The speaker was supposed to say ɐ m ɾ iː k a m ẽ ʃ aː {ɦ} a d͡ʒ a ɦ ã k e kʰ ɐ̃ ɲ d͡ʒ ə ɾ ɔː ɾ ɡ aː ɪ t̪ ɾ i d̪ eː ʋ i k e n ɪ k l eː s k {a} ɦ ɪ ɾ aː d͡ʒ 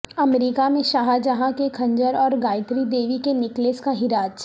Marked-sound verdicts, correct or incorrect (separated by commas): correct, correct